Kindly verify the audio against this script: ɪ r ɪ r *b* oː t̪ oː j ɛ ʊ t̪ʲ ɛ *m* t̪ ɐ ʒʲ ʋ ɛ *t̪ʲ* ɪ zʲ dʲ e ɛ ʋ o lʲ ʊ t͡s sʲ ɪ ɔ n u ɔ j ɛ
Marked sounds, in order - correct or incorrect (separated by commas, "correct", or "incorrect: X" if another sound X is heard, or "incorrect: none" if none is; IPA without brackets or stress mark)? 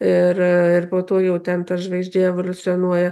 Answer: incorrect: p, incorrect: n, incorrect: none